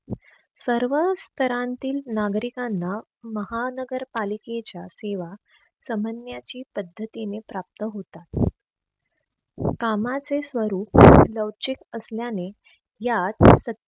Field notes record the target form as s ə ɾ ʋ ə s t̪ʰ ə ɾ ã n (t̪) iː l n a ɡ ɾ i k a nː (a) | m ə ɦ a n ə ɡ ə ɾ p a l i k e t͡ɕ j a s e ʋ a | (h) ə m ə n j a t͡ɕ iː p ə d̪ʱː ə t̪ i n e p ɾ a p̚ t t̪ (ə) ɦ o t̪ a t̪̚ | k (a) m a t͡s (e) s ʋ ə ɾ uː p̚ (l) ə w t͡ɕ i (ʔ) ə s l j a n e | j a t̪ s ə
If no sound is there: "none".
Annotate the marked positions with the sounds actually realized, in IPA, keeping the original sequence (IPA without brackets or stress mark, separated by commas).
t̪, a, s, ə, a, e, l, k